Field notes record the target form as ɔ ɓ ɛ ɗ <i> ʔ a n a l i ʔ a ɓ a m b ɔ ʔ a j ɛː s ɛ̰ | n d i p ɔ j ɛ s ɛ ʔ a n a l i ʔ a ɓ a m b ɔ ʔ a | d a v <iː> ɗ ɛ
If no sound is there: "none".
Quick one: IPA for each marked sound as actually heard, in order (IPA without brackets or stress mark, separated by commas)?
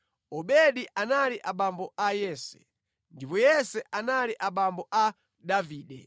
i, iː